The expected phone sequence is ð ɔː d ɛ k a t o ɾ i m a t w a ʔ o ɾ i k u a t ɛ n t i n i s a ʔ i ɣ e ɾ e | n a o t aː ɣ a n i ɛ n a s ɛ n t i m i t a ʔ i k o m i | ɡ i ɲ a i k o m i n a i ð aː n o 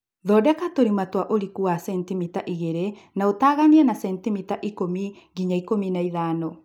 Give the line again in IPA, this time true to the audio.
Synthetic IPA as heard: ð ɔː d ɛ k a t o ɾ i m a t w a ʔ o ɾ i k u a s ɛ n t i m i t a ʔ i ɣ e ɾ e | n a o t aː ɣ a n i ɛ n a s ɛ n t i m i t a ʔ i k o m i | ɡ i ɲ a i k o m i n a i ð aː n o